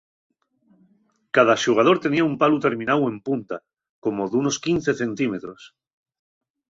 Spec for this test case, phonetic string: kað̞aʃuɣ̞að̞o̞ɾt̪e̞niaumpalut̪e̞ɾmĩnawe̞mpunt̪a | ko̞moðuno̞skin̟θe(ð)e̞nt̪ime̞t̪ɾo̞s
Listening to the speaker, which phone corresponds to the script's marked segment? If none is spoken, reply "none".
θ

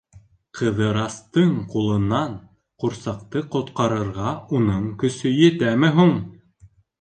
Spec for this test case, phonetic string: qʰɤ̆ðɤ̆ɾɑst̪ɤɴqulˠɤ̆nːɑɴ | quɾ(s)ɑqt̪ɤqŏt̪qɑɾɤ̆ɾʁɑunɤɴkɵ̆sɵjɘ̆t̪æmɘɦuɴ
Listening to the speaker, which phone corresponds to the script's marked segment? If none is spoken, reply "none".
s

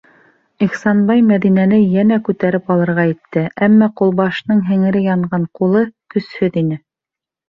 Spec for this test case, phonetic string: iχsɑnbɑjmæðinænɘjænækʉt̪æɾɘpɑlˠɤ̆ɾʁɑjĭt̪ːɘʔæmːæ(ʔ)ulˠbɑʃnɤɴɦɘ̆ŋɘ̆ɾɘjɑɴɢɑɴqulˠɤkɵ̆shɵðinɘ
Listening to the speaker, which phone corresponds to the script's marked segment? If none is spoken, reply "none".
q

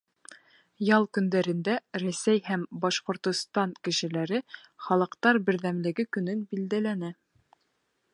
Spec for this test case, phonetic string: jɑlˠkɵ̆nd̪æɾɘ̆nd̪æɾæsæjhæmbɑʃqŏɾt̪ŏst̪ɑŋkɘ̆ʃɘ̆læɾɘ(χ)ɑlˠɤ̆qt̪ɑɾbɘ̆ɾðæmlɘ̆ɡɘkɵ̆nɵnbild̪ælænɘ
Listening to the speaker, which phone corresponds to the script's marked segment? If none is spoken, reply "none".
χ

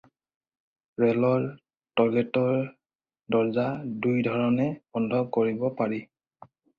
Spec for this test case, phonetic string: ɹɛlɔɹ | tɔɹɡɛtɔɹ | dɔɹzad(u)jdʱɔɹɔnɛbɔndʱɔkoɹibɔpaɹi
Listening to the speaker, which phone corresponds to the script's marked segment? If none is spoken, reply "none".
u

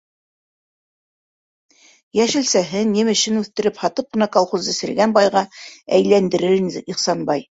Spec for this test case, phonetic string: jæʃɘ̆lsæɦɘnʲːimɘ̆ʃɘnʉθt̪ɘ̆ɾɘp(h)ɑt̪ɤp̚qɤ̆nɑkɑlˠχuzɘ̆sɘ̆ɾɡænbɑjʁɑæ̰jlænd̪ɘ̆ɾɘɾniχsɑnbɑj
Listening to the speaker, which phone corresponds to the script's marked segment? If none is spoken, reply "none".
h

